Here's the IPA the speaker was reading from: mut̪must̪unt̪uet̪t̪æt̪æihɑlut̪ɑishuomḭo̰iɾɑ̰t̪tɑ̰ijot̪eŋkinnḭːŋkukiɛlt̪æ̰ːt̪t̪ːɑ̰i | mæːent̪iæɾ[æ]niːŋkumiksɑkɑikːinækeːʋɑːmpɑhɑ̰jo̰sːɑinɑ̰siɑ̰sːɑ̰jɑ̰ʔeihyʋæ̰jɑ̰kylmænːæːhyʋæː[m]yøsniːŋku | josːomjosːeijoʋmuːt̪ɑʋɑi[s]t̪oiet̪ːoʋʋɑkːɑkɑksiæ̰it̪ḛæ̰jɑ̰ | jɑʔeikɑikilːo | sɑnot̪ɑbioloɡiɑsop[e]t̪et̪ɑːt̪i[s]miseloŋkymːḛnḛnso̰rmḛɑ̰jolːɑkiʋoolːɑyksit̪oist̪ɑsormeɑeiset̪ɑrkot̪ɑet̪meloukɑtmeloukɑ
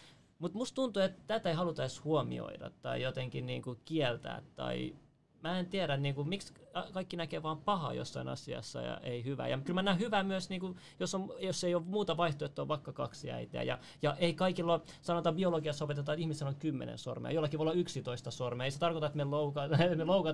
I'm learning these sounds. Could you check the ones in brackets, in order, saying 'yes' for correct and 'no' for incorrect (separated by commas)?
yes, yes, no, yes, no